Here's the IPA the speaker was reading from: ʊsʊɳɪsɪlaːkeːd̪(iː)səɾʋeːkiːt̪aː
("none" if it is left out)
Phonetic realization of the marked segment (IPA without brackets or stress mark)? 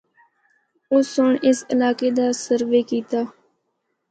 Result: aː